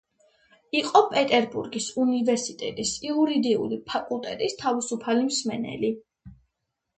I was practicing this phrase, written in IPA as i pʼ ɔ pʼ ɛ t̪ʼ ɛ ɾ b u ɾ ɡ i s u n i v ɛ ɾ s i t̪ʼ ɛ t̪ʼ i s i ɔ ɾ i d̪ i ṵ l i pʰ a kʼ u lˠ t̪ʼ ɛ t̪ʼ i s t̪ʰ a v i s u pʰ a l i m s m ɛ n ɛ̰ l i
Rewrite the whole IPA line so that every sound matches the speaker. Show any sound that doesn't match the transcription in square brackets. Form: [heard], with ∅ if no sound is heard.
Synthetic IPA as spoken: i [qʼ] ɔ pʼ ɛ t̪ʼ ɛ ɾ b u ɾ ɡ i s u n i v ɛ ɾ s i t̪ʼ ɛ t̪ʼ i s i [u] ɾ i d̪ i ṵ l i pʰ a kʼ u lˠ t̪ʼ ɛ t̪ʼ i s t̪ʰ a v i s u pʰ a l i m s m ɛ n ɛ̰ l i

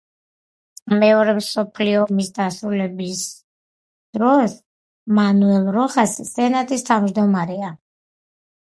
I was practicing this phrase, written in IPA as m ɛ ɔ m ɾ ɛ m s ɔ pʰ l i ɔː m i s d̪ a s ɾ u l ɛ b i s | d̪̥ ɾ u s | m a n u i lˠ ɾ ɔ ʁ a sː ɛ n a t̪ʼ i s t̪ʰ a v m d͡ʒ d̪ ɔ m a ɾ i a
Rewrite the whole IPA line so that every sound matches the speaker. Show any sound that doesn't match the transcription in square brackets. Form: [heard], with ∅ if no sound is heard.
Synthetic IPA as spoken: m ɛ ɔ [∅] ɾ ɛ m s ɔ pʰ l i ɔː m i s d̪ a s ɾ u l ɛ b i s | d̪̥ ɾ [ɔ] s | m a n u [ɛ] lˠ ɾ ɔ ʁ a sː ɛ n a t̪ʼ i s t̪ʰ a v m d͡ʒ d̪ ɔ m a ɾ [ɛ] a

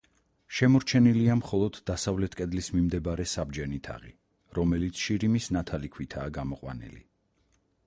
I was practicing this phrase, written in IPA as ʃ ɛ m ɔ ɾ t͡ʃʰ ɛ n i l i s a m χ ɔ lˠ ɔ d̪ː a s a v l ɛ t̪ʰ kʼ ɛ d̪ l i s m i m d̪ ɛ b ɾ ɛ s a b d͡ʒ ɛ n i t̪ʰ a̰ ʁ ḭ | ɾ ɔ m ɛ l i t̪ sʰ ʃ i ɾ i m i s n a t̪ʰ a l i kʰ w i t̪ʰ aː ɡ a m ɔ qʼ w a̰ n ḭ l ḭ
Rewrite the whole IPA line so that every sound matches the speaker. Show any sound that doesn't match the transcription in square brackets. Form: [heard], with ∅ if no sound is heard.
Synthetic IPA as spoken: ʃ ɛ m ɔ ɾ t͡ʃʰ ɛ n i l i [∅] a m χ ɔ lˠ ɔ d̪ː a s a v l ɛ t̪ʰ kʼ ɛ d̪ l i s m i m d̪ ɛ b ɾ ɛ s a b d͡ʒ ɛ n i t̪ʰ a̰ ʁ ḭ | ɾ ɔ m ɛ l i t̪ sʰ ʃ i ɾ i m i s n a t̪ʰ a l i kʰ w i t̪ʰ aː ɡ a m ɔ qʼ w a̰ n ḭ l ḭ

